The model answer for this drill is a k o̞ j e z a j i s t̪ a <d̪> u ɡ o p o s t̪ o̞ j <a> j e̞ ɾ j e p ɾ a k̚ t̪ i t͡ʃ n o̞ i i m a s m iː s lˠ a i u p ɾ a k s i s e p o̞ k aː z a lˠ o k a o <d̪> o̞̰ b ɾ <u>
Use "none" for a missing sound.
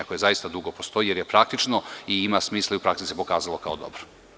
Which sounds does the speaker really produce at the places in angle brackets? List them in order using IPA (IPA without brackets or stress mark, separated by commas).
d̪, i, d̪, o